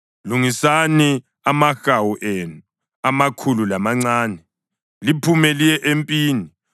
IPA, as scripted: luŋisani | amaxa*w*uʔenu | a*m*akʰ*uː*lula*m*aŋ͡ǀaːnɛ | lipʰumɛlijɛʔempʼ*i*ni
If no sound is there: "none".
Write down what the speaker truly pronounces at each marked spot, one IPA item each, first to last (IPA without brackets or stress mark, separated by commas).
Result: w, m, u, m, iː